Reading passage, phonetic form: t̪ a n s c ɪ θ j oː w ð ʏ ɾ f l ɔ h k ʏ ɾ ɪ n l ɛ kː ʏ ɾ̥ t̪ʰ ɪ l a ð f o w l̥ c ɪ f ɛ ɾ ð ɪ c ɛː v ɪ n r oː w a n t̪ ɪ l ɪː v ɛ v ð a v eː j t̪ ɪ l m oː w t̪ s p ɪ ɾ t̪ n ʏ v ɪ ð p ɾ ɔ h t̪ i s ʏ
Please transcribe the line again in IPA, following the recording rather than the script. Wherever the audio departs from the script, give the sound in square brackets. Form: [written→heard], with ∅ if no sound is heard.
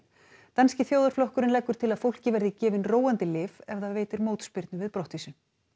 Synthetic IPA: t̪ a n s c ɪ θ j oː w ð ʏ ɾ f l ɔ h k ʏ ɾ ɪ n l ɛ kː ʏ ɾ̥ t̪ʰ ɪ l a ð f o w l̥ c ɪ [f→v] ɛ ɾ ð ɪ c ɛː v ɪ n r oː w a n t̪ ɪ l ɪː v ɛ v ð a v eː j t̪ ɪ [l→ɾ] m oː w t̪ s p ɪ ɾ t̪ n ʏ v ɪ ð p ɾ ɔ h t̪ i s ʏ